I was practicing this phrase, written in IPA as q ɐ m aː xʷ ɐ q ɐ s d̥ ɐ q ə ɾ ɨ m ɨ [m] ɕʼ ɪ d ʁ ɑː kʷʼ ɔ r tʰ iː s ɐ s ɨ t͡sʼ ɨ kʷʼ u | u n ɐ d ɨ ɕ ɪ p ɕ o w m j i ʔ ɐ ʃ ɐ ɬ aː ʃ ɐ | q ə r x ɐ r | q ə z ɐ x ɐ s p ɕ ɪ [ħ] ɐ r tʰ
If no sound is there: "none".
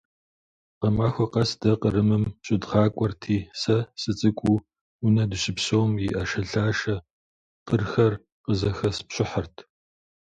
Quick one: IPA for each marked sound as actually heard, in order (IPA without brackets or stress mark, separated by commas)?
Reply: m, ħ